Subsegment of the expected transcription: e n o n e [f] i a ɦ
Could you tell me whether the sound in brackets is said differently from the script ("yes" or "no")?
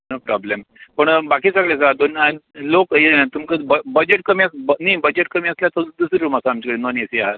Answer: yes